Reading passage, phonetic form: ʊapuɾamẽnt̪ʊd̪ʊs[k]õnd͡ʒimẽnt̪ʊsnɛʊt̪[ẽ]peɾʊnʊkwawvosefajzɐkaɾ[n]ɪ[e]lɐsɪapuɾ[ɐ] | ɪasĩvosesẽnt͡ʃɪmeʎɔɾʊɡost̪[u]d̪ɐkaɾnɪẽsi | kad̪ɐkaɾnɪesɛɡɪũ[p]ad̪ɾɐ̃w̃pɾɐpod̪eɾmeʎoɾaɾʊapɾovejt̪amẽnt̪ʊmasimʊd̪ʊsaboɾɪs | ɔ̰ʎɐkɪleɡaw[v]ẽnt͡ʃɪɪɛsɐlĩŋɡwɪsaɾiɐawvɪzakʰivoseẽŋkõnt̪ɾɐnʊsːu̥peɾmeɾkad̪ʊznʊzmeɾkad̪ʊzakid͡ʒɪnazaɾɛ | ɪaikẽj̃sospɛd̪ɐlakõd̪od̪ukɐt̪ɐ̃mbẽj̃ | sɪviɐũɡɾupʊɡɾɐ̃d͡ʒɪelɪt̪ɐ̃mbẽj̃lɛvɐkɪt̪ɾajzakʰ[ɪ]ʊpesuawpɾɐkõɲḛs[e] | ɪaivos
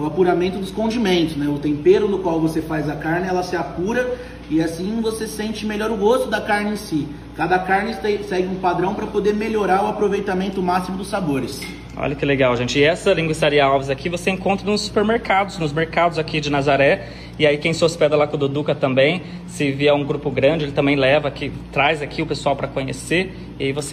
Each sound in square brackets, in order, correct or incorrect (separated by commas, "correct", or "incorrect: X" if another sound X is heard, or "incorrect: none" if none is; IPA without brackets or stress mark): correct, correct, correct, incorrect: ɛ, correct, incorrect: ʊ, correct, incorrect: ʒ, incorrect: i, correct